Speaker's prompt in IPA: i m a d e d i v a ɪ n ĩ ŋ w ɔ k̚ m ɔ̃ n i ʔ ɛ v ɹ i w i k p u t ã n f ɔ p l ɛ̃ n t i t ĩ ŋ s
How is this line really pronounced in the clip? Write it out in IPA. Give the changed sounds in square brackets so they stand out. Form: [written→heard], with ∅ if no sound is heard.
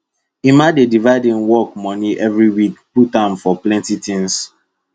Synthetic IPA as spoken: i m a d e d i v a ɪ [n→d] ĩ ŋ w ɔ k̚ m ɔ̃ n i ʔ ɛ v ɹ i w i k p u t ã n f ɔ p l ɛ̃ n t i t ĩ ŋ s